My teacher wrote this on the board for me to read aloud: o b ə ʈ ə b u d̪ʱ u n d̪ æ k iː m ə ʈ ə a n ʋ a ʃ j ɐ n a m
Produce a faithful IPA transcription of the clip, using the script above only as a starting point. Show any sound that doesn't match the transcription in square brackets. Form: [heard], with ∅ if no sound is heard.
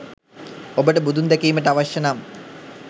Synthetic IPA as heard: o b ə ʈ ə b u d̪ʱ u n d̪ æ k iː m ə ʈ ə a [∅] ʋ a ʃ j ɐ n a m

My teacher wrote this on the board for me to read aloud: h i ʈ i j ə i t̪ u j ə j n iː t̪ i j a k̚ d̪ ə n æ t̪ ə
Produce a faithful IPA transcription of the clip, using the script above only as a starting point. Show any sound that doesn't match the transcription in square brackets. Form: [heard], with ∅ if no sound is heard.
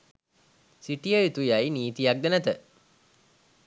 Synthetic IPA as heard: [s] i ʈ i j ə i t̪ u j [a] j n iː t̪ i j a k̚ d̪ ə n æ t̪ ə

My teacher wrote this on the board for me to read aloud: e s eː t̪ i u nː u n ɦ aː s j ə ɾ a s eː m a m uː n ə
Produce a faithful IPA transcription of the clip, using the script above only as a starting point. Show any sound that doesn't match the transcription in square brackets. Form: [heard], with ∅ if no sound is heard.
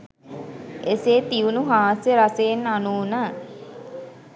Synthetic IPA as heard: e s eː t̪ i u [n] u [∅] ɦ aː s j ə ɾ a s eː [n] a [n] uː n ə

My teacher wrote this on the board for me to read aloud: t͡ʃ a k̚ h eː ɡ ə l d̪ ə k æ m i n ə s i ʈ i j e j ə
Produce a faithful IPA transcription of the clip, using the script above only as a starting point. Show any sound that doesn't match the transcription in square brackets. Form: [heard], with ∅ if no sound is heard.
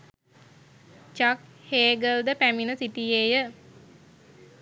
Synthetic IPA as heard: t͡ʃ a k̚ h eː ɡ ə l d̪ ə [p] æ m i n ə s i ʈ i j e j ə

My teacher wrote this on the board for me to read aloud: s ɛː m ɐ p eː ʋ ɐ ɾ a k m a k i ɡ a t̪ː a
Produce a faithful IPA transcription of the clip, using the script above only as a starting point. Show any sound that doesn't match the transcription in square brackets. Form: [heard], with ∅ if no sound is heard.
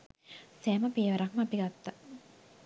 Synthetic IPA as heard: s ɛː m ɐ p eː ʋ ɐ ɾ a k m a [p] i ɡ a t̪ː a

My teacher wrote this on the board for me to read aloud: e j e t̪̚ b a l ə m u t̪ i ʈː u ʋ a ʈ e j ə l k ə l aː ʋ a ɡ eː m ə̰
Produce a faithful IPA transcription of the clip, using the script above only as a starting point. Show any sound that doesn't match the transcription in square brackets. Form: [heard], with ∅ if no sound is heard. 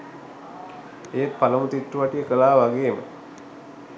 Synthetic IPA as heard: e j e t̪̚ [p] a l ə m u t̪ i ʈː u ʋ a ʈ [i] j ə [∅] k ə l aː ʋ a ɡ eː m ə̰

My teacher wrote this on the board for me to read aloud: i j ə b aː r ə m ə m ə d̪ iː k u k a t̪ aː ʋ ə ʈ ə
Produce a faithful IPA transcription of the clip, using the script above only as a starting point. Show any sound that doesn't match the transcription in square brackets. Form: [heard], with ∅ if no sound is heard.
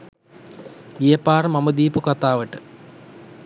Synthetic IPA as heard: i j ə [p] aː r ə m [a] m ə d̪ iː [p] u k a t̪ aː ʋ ə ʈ ə

